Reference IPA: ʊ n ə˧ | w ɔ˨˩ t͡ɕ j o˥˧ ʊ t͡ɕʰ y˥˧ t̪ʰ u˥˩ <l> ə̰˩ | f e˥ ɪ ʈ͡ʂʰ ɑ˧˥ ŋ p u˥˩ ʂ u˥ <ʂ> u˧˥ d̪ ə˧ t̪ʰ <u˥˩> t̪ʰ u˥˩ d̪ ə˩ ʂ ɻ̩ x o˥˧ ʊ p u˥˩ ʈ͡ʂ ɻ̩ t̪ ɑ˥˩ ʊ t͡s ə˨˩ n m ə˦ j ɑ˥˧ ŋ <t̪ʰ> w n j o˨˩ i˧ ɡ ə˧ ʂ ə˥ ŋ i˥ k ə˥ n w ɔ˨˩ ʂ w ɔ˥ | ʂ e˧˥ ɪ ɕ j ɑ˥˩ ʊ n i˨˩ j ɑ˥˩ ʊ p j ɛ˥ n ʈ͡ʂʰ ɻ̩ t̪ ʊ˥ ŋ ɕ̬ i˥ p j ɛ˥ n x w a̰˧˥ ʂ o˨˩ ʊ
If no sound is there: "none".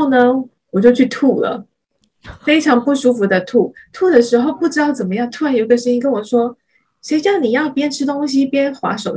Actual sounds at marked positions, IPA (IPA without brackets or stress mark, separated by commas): l, f, u˥˩, t̪ʰ